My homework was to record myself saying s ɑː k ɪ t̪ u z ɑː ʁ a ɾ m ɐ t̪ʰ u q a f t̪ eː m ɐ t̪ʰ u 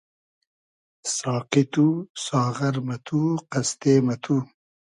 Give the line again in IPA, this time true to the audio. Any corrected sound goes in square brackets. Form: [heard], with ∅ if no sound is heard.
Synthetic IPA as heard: s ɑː [q] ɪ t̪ u [s] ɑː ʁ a ɾ m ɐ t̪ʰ u q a [s] t̪ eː m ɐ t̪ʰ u